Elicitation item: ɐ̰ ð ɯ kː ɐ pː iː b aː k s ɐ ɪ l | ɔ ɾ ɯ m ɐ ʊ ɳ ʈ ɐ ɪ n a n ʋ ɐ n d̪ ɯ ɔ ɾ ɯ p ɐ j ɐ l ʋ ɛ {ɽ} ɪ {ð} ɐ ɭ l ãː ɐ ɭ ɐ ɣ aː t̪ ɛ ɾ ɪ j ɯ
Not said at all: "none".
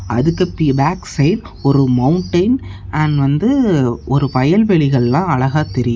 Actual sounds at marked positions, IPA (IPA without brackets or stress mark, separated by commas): ɭ, ɣ